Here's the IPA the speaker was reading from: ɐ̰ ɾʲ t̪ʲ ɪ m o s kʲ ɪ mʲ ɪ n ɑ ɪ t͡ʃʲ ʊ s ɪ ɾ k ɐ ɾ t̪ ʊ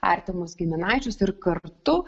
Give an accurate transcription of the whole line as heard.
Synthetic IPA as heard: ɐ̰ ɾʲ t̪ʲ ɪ m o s ɡʲ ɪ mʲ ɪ n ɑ ɪ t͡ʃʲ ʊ s ɪ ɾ k ɐ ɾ t̪ ʊ